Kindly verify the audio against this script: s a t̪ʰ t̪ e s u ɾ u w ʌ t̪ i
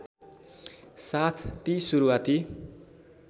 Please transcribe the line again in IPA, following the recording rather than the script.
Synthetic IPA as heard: s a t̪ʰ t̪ i s u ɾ u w a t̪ i

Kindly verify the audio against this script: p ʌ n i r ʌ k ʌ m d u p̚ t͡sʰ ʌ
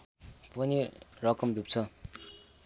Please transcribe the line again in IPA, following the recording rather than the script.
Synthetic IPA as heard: p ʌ n i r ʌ k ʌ m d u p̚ t͡sʰ ʌ

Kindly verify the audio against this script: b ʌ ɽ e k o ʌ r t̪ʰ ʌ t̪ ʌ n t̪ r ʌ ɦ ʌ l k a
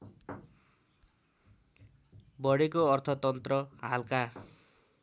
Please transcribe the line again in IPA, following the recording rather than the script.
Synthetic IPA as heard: b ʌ ɽ e k o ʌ r t̪ʰ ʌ t̪ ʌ n t̪ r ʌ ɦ a l k a

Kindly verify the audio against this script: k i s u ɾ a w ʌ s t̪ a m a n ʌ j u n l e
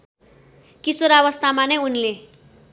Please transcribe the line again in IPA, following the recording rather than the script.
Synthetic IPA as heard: k i s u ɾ a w ʌ s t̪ a m a n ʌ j u n l e

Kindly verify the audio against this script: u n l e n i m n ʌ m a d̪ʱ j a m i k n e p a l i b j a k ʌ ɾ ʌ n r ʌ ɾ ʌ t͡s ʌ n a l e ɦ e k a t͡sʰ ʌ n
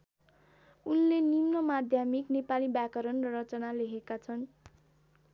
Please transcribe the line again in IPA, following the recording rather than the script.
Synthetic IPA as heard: u n l e n i m n ʌ m a d̪ʱ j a m i k n e p a l i b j a k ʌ ɾ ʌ n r ʌ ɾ ʌ t͡s ʌ n a l e ɦ e k a t͡sʰ ʌ n

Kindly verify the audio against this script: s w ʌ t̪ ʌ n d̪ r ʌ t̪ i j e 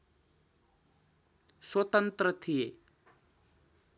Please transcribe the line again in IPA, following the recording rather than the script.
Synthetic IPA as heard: s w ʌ t̪ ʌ n t̪ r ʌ t̪ʰ i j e

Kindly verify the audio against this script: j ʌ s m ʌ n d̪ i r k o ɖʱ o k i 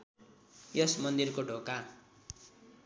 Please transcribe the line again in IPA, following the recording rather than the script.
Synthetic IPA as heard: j ʌ s m ʌ n d̪ i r k o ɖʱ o k a

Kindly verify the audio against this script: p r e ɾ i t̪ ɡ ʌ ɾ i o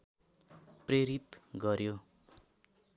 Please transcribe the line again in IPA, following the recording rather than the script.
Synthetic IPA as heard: p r e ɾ i t̪ ɡ ʌ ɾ j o

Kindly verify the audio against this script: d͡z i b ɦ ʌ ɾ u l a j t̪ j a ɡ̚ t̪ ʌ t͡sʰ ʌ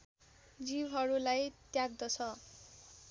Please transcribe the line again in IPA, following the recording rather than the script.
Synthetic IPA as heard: d͡z i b ɦ ʌ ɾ u l a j t̪ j a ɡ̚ d̪ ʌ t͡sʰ ʌ

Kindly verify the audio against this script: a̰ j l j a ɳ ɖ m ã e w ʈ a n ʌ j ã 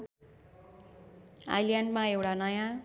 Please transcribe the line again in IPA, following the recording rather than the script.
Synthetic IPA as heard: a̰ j l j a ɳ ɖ m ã e w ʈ a n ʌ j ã

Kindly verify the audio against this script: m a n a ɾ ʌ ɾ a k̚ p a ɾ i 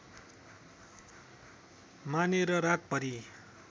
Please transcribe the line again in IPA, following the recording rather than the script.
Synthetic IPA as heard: m a n e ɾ ʌ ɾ a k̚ p ʌ ɾ i

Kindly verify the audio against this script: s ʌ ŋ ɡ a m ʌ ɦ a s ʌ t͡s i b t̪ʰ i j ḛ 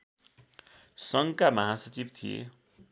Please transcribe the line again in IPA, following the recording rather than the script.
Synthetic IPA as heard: s ʌ ŋ k a m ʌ ɦ a s ʌ t͡s i b t̪ʰ i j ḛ

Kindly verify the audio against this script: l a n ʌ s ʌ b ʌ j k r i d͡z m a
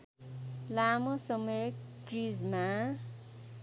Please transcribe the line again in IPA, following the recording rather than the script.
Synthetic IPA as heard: l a m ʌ s ʌ m ʌ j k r i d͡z m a

